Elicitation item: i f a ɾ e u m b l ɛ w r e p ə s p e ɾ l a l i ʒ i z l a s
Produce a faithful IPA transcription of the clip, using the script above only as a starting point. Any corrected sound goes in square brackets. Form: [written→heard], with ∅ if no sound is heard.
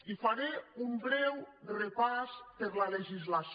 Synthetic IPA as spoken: i f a ɾ e u m b [l→ɾ] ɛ w r e p [ə→a] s p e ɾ l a l [i→e] ʒ i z l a s